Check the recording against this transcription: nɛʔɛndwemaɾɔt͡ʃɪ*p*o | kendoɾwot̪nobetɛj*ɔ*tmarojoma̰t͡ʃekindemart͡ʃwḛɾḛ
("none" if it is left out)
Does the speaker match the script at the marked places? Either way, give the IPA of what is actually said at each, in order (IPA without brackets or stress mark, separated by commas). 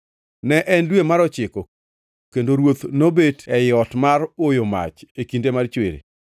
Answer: k, ɔ